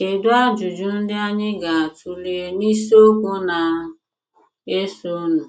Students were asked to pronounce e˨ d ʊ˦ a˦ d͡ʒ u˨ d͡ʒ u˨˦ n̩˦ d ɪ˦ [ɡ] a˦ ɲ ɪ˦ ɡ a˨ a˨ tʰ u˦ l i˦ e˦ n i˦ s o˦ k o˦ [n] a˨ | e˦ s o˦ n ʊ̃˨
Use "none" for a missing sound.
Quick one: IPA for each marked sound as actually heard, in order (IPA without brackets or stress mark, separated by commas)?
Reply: none, n